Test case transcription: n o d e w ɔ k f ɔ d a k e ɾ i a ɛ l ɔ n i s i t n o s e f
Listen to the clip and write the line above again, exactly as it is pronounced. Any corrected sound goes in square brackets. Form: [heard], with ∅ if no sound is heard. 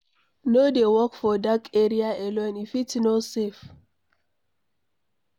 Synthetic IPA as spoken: n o d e w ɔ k f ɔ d a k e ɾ i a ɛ l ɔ n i [f] i t n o s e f